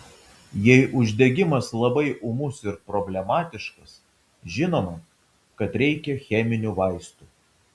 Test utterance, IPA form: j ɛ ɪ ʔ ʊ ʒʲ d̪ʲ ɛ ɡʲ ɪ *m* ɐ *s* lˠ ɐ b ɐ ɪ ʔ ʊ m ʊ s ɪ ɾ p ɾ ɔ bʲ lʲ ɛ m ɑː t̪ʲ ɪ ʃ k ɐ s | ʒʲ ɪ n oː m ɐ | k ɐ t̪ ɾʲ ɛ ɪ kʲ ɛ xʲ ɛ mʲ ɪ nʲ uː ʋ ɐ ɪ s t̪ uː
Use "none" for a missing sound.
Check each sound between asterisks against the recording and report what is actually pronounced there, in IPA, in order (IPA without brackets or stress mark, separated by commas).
m, s